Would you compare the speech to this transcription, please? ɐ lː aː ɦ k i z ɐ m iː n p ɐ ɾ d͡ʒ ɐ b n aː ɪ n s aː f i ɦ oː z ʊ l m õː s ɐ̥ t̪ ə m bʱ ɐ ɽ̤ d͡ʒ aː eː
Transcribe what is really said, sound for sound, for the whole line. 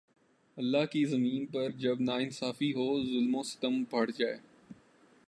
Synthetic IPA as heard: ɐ lː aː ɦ k i z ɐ m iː n p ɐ ɾ d͡ʒ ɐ b n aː ɪ n s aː f i ɦ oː z ʊ l m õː s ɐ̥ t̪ ə m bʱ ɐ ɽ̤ d͡ʒ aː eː